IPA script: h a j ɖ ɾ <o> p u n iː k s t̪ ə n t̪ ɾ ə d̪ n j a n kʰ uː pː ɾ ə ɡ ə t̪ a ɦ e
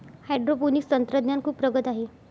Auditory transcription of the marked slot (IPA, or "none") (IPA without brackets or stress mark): o